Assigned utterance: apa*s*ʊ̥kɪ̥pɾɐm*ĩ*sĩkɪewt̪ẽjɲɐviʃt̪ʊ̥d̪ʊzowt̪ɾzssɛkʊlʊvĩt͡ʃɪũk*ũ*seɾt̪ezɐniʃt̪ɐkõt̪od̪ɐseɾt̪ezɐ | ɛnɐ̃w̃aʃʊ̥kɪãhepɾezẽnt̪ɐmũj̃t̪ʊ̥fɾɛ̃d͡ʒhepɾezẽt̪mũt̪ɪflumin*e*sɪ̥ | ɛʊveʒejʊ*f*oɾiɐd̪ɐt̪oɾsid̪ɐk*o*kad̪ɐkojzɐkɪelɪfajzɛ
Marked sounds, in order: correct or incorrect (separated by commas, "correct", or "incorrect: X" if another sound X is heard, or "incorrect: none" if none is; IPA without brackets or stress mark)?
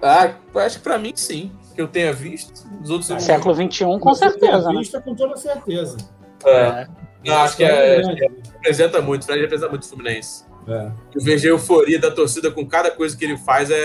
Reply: incorrect: ʃ, correct, incorrect: õ, incorrect: ẽ, correct, incorrect: õ